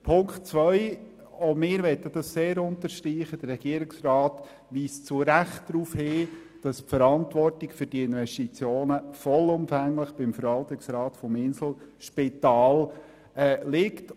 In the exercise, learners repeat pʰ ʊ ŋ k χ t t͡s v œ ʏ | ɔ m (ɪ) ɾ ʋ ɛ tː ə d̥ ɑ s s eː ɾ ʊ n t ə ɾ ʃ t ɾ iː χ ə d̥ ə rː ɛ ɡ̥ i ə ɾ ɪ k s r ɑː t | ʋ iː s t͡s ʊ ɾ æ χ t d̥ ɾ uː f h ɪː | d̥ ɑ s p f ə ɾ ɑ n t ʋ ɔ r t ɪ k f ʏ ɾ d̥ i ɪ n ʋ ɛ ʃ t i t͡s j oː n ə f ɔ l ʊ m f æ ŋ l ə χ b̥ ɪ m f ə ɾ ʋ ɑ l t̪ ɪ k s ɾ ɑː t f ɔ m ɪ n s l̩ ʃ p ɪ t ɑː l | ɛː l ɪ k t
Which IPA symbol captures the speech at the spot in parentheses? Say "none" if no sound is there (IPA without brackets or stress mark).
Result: ɪː